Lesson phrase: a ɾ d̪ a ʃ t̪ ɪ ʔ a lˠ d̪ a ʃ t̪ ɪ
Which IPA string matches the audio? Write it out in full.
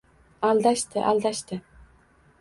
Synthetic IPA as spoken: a l d̪ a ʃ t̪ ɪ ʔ a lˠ d̪ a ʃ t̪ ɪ